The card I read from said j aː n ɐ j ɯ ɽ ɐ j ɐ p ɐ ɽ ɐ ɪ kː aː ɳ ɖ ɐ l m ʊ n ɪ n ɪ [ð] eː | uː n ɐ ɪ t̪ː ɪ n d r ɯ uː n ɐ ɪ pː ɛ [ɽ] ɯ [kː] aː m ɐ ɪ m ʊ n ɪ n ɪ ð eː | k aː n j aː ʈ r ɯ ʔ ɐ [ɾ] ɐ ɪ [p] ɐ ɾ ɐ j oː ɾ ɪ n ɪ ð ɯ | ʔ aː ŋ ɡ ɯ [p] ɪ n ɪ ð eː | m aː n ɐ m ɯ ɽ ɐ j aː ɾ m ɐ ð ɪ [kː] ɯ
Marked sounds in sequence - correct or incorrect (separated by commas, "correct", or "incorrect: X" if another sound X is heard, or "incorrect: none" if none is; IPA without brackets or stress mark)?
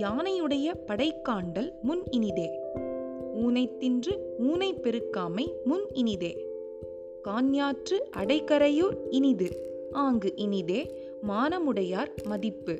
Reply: correct, incorrect: ɾ, correct, incorrect: ɽ, incorrect: k, incorrect: ʔ, incorrect: pː